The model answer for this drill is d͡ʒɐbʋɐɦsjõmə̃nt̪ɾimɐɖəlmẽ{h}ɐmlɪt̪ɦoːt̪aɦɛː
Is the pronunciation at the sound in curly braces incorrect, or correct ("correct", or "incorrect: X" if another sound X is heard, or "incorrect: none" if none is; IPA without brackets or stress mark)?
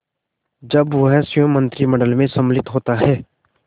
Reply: incorrect: s